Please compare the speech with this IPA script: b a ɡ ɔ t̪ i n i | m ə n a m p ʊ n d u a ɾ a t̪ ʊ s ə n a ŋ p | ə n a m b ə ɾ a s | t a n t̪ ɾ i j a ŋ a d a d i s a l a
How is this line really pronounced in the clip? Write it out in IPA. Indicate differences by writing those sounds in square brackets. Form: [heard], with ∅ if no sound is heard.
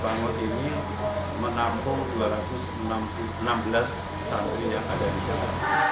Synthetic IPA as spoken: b a [ŋ] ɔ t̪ i n i | m ə n a m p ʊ [ŋ] d u a ɾ a t̪ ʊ s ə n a [m] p | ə n a m b ə [l] a s | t a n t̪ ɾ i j a ŋ a d a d i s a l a